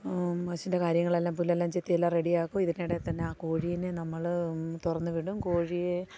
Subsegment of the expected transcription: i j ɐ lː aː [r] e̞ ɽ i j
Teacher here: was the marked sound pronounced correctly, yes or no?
yes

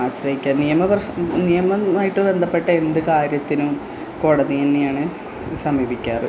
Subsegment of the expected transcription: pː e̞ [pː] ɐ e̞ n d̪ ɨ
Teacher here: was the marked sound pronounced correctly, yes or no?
no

